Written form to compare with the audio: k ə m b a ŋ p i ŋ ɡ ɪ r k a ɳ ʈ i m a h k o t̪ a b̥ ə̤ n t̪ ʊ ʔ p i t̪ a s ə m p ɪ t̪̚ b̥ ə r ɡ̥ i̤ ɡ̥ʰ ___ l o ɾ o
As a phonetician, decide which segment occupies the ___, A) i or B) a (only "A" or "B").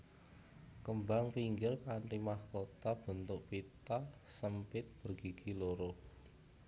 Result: A